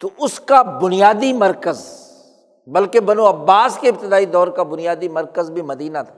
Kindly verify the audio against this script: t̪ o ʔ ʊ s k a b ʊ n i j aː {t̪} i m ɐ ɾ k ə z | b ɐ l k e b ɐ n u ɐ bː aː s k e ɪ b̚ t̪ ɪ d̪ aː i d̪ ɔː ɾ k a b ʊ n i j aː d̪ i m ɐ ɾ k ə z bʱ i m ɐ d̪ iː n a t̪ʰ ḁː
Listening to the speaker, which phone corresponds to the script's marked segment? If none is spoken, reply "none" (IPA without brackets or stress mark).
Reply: d̪